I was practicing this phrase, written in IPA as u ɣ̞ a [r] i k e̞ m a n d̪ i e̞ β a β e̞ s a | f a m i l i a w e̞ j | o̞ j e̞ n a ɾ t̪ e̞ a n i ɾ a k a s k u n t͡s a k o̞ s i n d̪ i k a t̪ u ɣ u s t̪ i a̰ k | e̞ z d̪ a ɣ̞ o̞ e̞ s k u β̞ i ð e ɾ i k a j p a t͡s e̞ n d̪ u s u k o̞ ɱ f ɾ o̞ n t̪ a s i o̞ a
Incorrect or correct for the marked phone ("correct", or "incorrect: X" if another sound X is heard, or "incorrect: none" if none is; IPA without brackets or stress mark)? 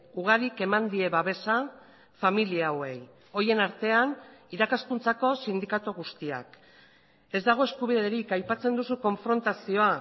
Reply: incorrect: ɾ